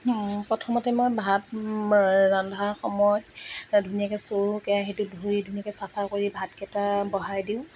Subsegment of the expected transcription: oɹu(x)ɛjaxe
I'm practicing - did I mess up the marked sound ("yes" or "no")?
yes